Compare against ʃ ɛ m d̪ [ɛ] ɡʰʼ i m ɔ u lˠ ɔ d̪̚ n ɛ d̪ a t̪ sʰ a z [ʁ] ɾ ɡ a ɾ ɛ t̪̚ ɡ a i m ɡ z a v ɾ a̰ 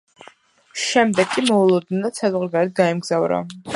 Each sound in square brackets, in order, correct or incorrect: correct, correct

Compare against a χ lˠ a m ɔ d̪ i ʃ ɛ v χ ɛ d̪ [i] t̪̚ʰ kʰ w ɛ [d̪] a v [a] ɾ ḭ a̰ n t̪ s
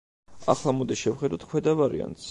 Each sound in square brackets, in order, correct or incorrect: incorrect: a, correct, correct

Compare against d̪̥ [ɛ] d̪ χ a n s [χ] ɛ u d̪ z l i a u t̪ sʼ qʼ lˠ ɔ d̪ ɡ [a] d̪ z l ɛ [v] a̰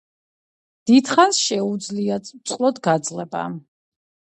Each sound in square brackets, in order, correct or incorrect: incorrect: i, incorrect: ʃ, correct, incorrect: b

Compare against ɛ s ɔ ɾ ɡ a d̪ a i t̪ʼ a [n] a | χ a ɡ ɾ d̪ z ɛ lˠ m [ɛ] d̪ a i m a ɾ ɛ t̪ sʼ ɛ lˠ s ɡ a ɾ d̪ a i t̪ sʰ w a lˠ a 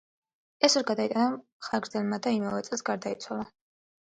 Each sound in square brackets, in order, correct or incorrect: correct, incorrect: a

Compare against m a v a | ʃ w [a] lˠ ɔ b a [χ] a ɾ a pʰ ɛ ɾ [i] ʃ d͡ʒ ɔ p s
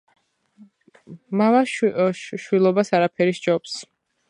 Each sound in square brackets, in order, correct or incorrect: incorrect: i, incorrect: s, correct

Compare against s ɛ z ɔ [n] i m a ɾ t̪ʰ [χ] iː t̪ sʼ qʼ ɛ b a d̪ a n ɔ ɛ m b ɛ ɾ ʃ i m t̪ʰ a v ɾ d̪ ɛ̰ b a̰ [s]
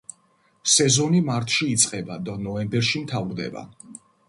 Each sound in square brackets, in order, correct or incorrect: correct, incorrect: ʃ, incorrect: none

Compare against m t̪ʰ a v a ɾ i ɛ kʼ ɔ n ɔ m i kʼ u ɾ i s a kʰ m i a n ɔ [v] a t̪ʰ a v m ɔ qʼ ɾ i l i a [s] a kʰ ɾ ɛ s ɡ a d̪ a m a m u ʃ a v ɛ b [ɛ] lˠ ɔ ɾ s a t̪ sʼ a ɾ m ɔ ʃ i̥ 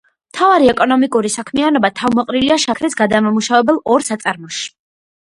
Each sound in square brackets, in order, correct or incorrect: incorrect: b, incorrect: ʃ, correct

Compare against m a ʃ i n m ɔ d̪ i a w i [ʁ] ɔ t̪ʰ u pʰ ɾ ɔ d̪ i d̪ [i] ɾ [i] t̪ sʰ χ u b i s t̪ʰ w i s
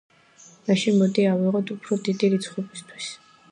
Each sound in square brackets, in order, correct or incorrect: correct, correct, correct

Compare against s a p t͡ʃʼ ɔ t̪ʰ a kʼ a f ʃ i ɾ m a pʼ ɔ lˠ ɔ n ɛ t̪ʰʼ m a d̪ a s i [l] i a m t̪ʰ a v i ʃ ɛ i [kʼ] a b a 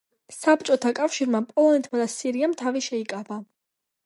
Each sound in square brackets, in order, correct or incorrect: incorrect: ɾ, correct

